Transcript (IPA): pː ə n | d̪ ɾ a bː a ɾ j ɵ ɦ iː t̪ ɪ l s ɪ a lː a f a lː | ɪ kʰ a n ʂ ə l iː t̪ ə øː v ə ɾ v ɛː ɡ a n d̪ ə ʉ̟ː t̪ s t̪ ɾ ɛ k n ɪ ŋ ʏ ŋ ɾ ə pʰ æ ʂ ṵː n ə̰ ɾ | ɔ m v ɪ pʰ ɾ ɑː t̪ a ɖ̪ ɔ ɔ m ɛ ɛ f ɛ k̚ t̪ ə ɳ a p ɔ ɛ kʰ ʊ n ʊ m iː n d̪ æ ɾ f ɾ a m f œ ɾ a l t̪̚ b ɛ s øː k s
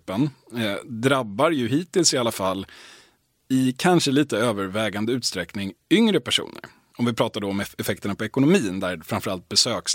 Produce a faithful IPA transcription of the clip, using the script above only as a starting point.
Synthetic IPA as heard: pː ə n | d̪ ɾ a bː a ɾ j ɵ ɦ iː t̪ ɪ l s ɪ a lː a f a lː | ɪ kʰ a n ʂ ə l iː t̪ ə øː v ə ɾ v ɛː ɡ a n d̪ ə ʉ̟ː t̪ s t̪ ɾ ɛ k n ɪ ŋ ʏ ŋ ɾ ə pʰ æ ʂ ṵː n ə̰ ɾ | ɔ m v ɪ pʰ ɾ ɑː t̪ a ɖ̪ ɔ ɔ m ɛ ɛ f ɛ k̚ t̪ ə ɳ a p ɔ ɛ k ʊ n ʊ m iː n d̪ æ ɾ f ɾ a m f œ ɾ a l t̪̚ b ɛ s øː k s